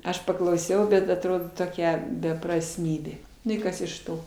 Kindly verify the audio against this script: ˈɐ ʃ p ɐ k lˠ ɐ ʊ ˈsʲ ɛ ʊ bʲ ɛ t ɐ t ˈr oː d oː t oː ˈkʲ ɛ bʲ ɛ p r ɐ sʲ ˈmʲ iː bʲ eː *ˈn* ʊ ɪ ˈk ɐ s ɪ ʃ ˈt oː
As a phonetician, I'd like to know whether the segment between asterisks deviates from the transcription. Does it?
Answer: no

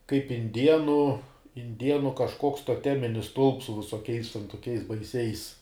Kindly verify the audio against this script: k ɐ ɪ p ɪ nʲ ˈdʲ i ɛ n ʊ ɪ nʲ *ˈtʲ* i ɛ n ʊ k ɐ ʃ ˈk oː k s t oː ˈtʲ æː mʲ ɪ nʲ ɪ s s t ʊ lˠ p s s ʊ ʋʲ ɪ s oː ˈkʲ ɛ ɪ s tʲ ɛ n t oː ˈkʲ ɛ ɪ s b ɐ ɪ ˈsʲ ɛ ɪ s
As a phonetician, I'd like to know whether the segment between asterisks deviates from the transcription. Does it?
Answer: yes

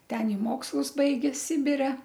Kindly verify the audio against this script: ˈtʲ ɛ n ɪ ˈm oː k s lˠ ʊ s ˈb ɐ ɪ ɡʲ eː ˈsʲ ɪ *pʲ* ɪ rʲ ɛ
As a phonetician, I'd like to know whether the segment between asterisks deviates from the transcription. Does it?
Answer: yes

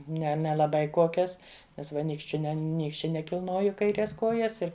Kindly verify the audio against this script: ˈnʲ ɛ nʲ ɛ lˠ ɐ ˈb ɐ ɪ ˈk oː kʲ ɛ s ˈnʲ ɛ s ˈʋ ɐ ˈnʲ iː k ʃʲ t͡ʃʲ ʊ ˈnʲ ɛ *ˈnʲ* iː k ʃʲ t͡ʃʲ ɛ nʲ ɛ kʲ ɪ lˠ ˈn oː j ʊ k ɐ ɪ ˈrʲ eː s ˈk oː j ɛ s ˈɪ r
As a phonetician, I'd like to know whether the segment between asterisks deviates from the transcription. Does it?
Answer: no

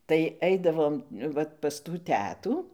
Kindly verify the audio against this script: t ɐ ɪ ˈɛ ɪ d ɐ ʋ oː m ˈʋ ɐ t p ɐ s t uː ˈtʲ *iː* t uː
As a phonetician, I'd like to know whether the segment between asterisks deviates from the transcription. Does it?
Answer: yes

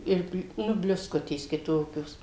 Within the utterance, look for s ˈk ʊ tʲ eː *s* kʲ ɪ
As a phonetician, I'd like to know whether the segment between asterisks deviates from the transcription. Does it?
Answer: no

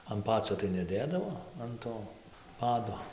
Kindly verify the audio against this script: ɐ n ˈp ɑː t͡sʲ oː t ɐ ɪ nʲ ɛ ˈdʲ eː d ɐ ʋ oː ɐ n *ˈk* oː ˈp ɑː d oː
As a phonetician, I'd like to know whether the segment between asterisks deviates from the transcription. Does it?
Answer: yes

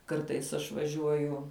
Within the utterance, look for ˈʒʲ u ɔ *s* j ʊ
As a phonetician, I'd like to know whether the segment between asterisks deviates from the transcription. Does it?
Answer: yes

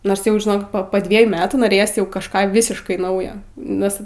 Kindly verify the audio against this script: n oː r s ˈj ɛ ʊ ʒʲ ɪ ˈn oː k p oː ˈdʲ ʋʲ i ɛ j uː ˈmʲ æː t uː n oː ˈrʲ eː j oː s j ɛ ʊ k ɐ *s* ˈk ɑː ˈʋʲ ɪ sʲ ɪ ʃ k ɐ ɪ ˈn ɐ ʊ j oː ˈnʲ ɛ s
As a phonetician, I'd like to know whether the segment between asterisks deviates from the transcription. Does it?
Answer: yes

